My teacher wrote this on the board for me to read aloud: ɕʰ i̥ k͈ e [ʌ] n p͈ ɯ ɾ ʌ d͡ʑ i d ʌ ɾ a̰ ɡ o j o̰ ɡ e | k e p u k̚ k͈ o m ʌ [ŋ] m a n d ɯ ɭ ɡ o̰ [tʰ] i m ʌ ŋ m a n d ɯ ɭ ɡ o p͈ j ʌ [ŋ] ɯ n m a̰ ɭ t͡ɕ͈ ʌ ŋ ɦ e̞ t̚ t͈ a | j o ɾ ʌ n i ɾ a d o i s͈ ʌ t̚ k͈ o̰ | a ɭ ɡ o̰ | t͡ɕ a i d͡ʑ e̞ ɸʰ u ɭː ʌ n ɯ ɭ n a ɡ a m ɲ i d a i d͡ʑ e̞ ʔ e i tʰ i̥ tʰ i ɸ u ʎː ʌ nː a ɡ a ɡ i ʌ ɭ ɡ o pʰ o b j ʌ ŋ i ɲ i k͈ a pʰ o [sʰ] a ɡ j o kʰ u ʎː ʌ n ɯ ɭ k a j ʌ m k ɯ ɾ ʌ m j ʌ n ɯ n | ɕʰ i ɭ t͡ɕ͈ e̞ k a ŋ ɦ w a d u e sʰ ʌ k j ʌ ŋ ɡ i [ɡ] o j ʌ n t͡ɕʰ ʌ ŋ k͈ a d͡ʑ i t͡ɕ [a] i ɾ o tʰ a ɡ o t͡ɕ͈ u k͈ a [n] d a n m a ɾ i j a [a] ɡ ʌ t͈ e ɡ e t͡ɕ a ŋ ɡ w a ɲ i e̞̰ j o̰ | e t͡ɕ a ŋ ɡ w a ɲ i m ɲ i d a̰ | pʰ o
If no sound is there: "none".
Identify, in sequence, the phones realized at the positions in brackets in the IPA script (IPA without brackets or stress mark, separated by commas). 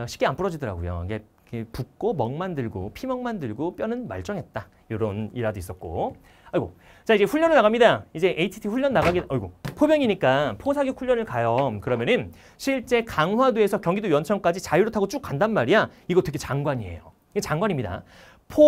a, ŋ, pʰ, n, sʰ, d, a, n, i